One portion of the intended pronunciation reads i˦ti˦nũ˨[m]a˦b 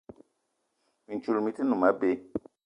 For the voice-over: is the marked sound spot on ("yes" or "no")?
yes